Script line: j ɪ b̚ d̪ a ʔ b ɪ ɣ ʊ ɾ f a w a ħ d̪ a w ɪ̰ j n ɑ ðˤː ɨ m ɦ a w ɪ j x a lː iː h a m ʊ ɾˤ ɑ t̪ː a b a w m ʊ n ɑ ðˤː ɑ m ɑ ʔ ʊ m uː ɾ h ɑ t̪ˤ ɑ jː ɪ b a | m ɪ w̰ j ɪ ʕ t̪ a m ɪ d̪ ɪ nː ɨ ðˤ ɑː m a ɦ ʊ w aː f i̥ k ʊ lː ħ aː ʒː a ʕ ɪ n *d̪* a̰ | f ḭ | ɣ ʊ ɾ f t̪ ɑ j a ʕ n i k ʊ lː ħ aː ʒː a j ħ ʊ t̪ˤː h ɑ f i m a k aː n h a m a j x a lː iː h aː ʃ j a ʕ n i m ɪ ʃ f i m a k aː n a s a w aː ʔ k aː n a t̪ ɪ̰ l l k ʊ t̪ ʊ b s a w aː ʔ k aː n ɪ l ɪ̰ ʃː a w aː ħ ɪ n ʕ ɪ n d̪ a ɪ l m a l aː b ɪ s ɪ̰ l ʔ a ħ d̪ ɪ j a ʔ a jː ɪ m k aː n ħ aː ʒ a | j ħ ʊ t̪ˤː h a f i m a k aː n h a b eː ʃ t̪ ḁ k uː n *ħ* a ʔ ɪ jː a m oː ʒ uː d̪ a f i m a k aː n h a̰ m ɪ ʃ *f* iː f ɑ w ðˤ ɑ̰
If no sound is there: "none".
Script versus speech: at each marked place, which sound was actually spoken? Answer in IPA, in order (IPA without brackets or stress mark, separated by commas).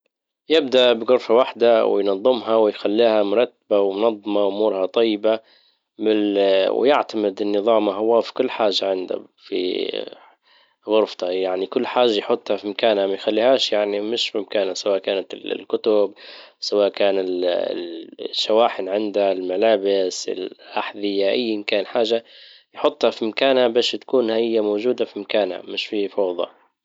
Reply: d̪, h, f